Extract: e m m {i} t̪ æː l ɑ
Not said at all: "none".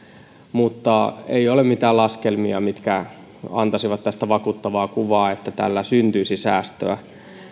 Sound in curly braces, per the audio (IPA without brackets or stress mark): i